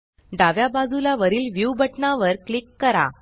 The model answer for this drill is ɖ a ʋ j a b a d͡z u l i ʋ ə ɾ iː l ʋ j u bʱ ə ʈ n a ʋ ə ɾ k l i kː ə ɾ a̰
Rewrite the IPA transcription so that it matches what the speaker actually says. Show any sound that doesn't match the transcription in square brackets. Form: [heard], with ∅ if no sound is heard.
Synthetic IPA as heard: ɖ a ʋ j a b a d͡z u l [a] ʋ ə ɾ iː l ʋ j u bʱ ə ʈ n a ʋ ə ɾ k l i kː ə ɾ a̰